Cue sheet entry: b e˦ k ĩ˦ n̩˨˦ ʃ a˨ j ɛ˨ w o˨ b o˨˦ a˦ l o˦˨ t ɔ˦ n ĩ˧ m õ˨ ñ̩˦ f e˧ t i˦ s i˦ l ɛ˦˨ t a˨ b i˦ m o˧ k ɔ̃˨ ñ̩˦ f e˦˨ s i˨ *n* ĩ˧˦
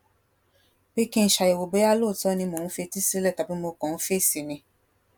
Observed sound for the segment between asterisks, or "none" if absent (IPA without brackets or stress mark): n